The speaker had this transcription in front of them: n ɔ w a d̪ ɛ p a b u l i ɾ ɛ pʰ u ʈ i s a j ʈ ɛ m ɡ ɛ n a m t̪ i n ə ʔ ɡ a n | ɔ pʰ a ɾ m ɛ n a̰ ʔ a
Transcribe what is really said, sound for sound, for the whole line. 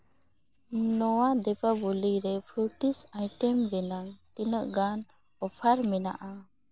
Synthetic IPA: n ɔ w a d̪ ɛ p a b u l i ɾ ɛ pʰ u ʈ i s a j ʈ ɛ m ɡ ɛ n a ŋ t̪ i n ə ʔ ɡ a n | ɔ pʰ a ɾ m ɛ n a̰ ʔ a